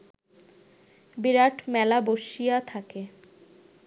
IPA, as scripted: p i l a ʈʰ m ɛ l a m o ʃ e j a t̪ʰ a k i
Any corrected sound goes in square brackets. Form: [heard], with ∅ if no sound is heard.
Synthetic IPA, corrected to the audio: [b] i [ɾ] a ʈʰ m ɛ l a [b] o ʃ [i] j a t̪ʰ a k [e]

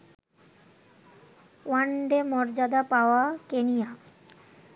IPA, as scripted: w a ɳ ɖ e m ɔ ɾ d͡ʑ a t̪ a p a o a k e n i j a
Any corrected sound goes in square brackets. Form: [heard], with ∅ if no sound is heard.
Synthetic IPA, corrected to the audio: w a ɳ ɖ e m ɔ ɾ d͡ʑ a [d̪] a p a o a k e n i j a

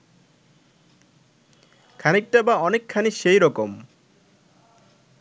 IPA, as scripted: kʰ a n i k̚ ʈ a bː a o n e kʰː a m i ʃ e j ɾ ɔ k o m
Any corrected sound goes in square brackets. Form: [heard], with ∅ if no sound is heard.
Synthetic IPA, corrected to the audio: kʰ a n i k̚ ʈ a [b] a [ɔ] n e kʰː a [n] i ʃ e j ɾ ɔ k o m

